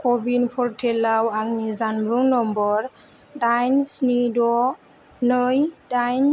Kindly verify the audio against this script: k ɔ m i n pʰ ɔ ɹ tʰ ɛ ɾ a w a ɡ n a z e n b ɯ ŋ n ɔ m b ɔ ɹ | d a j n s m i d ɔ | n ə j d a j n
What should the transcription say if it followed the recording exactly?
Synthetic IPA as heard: k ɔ b i n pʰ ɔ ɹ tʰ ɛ l a w a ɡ n i z a n b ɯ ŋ n ɔ m b ɔ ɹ | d a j n s n i d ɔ | n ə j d a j n